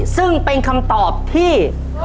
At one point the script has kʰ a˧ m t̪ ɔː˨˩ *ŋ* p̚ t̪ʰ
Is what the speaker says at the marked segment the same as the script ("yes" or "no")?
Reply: no